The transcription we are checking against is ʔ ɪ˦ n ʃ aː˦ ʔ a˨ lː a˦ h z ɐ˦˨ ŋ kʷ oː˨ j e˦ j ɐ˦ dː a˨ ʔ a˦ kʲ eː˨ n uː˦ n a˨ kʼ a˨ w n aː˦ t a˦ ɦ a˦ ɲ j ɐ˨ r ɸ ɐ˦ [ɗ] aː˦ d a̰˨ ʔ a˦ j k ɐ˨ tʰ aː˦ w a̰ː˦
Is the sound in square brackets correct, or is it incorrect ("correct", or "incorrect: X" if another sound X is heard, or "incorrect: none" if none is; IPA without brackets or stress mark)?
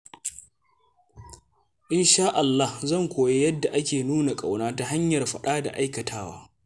correct